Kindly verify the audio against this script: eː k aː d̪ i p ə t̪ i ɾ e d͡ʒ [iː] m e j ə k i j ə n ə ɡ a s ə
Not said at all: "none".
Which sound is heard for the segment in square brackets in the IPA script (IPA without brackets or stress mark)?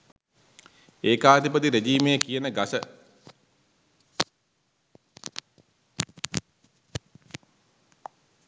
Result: iː